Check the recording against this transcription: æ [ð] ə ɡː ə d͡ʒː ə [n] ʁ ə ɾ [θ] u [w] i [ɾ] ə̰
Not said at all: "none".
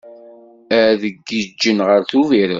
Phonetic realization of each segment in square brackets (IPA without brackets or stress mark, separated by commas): ð, n, θ, v, ɾ